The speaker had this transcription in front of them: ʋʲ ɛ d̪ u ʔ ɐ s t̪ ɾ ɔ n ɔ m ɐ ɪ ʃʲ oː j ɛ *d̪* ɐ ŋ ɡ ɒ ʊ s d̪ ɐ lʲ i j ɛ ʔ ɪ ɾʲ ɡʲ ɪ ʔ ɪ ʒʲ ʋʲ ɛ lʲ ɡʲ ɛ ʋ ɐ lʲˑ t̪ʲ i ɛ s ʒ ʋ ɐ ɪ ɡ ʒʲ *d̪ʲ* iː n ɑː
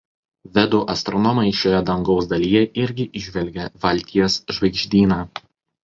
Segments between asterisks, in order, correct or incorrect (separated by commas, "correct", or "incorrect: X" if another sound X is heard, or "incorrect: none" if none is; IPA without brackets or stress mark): correct, correct